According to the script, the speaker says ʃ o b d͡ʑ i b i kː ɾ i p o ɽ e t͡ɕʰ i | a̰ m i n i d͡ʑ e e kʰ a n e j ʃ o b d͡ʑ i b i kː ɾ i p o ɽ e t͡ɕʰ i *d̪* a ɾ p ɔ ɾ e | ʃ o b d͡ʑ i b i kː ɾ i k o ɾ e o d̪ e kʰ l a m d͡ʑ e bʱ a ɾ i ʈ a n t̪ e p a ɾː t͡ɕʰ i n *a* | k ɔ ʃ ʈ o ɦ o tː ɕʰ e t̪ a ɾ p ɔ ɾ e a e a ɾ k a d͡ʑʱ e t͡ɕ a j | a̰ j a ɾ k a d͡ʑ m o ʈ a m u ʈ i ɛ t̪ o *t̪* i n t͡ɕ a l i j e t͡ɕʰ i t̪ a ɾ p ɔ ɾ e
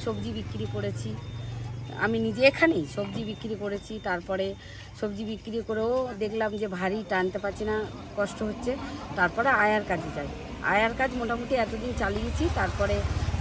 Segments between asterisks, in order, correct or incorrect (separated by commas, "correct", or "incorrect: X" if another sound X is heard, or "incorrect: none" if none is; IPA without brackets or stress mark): incorrect: t̪, correct, incorrect: d̪